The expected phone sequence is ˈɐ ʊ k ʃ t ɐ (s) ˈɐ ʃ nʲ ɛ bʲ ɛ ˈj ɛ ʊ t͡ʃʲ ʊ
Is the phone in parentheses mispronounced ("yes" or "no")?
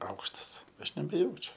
no